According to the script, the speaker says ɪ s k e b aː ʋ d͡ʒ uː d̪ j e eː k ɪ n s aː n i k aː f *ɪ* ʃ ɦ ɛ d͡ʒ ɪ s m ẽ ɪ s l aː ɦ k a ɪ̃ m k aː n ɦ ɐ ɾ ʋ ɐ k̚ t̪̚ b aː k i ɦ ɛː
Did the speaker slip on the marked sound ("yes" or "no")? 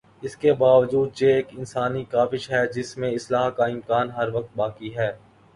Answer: no